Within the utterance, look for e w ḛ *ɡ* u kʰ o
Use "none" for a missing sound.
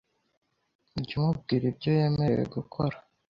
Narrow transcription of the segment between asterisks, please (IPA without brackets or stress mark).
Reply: ɡ